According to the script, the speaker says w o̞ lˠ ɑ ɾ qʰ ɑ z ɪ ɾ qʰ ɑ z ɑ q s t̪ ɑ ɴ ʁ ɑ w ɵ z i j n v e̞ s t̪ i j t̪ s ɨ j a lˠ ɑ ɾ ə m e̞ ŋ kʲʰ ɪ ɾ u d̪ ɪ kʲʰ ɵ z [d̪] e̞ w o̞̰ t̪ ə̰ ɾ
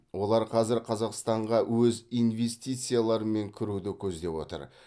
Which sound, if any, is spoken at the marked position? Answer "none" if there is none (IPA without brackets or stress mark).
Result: d̪